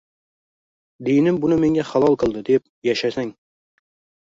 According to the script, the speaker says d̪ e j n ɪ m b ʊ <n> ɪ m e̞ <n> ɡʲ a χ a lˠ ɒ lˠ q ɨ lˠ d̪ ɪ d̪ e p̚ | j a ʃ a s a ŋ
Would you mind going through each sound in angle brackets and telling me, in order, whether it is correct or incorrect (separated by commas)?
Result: correct, incorrect